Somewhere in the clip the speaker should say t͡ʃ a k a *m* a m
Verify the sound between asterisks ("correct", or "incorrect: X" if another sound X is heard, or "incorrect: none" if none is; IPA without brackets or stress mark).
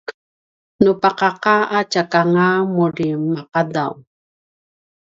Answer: incorrect: ŋ